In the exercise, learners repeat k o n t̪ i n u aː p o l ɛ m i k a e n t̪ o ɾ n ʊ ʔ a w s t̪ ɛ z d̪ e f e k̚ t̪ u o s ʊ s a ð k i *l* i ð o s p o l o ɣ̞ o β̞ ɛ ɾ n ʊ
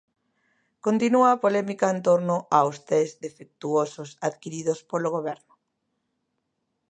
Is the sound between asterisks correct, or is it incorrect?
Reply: incorrect